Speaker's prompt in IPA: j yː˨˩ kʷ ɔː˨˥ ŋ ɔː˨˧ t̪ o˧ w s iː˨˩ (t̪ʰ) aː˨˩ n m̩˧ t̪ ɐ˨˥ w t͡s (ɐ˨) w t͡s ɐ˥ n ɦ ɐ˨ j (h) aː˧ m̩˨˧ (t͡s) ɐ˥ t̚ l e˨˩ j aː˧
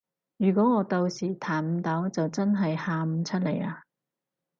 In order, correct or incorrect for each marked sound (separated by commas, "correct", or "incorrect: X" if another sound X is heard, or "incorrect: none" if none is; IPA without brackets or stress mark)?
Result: correct, correct, correct, incorrect: t͡sʰ